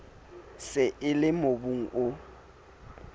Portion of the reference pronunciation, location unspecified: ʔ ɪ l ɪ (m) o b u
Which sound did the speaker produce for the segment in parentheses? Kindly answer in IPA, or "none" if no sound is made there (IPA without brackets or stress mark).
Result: m